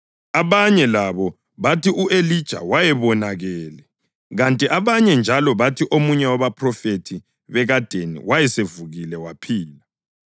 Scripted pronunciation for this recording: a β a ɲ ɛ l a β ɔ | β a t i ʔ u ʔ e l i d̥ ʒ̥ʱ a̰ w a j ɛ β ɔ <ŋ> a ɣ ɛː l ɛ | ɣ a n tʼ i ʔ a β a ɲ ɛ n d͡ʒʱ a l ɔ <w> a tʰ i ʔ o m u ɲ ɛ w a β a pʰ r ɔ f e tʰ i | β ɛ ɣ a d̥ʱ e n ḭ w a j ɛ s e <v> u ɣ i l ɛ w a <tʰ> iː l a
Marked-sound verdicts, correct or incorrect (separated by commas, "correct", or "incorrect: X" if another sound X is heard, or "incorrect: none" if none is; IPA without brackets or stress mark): incorrect: n, incorrect: β, correct, incorrect: pʰ